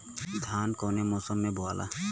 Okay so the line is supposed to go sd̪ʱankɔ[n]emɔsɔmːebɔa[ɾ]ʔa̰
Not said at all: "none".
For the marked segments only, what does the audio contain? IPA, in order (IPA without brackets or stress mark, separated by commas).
n, l